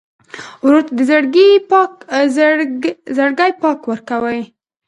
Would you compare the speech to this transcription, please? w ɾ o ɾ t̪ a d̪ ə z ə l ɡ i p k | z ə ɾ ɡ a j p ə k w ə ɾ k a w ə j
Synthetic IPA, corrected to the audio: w ɾ o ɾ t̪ a d̪ ə z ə ɽ ɡ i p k | z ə ɽ ɡ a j p ɑ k w ə ɾ k a w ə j